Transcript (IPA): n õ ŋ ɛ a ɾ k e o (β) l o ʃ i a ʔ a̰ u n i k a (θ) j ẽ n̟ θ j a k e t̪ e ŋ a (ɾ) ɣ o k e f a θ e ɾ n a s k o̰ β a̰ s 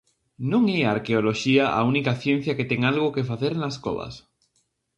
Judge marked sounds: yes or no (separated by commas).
no, yes, no